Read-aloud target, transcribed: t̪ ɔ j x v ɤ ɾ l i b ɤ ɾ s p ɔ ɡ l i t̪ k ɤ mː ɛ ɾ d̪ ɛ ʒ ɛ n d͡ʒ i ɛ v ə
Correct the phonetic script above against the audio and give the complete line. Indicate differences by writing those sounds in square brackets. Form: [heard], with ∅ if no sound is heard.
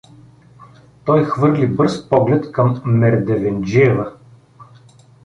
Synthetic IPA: t̪ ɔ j x v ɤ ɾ l i b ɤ ɾ s p ɔ ɡ l [ɛ] t̪ k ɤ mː ɛ ɾ d̪ ɛ [v] ɛ n d͡ʒ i ɛ v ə